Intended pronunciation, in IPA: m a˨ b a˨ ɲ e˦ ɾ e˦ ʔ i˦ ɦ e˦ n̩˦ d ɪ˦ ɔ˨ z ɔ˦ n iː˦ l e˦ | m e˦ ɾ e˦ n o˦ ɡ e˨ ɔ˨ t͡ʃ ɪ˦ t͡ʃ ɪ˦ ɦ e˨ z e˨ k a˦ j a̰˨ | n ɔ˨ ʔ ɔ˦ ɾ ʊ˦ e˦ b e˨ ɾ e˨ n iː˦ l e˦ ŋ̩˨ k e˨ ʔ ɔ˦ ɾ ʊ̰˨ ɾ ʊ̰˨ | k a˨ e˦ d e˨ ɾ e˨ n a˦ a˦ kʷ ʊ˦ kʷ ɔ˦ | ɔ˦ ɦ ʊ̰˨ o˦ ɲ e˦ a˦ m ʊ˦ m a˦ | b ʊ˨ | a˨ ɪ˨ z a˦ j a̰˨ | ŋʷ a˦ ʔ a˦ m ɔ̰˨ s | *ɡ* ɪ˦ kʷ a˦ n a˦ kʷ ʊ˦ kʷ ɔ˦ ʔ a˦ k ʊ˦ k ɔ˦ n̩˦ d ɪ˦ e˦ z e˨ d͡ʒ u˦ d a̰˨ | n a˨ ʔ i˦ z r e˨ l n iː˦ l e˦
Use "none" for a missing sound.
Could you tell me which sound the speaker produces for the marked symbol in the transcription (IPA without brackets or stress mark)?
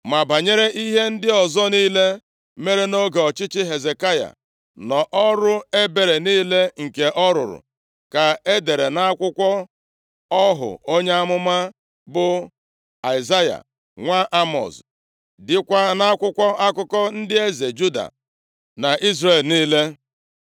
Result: d